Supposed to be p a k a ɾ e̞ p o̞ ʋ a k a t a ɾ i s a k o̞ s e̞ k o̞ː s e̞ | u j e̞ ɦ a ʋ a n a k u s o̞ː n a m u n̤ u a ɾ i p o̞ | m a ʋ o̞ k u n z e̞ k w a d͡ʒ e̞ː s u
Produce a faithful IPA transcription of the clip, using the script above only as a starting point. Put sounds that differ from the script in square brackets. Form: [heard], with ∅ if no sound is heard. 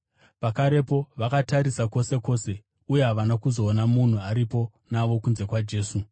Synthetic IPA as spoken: p a k a ɾ e̞ p o̞ ʋ a k a t a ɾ i s a k o̞ s e̞ k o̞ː s e̞ | u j e̞ ɦ a ʋ a n a k u [z] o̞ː n a m u n̤ u a ɾ i p o̞ | [n] a ʋ o̞ k u n z e̞ k w a d͡ʒ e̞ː s u